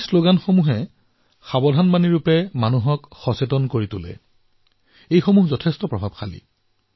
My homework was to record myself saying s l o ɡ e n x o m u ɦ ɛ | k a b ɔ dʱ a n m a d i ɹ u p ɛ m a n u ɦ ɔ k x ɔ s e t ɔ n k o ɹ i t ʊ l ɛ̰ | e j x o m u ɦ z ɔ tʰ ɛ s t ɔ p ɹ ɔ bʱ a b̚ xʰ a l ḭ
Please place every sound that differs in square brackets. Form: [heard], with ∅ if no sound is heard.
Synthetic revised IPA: s l o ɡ [a] n x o m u ɦ ɛ | [x] a b ɔ dʱ a n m a [n] i ɹ u p ɛ m a n u ɦ ɔ k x ɔ s e t ɔ n k o ɹ i t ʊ l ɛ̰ | e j x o m u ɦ z ɔ tʰ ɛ s t ɔ p ɹ ɔ bʱ a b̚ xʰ a l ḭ